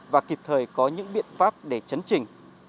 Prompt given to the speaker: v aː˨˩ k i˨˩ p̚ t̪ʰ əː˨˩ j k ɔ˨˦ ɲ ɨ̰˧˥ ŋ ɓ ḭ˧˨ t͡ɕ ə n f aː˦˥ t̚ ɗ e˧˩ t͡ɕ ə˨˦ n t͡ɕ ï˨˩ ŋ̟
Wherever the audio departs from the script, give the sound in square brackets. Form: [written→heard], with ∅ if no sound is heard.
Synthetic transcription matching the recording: v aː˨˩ k i˨˩ p̚ t̪ʰ əː˨˩ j k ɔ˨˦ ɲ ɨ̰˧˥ ŋ ɓ ḭ˧˨ [t͡ɕ→∅] ə n f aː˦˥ [t̚→p̚] ɗ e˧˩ t͡ɕ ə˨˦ n t͡ɕ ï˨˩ ŋ̟

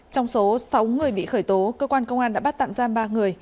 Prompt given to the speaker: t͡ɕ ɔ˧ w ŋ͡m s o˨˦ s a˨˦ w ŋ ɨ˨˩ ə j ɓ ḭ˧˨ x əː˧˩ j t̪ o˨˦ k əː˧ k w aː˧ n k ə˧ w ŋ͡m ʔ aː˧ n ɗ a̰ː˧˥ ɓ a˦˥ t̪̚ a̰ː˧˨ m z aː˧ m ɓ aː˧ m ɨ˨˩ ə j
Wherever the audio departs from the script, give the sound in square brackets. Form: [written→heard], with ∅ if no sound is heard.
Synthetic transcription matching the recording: t͡ɕ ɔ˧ w ŋ͡m s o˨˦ s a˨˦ w ŋ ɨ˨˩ ə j ɓ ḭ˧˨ x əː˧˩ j t̪ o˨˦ k əː˧ k w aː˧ n k ə˧ w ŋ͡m ʔ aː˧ n ɗ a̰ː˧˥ ɓ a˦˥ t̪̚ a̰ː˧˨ m z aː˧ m ɓ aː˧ [m→ŋ] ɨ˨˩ ə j

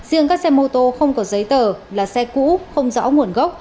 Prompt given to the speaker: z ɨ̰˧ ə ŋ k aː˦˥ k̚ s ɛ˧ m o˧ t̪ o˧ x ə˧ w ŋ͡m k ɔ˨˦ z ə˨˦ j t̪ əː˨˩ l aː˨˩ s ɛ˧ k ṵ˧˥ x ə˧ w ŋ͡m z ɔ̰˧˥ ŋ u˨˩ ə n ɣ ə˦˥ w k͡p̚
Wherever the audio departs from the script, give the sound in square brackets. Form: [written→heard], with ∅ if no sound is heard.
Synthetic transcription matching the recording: z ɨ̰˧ ə ŋ k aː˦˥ k̚ s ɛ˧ m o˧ t̪ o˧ x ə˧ w ŋ͡m k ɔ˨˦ z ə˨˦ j t̪ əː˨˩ l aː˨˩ s ɛ˧ k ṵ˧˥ x ə˧ w ŋ͡m z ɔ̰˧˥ ŋ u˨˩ ə n ɣ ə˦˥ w k͡p̚

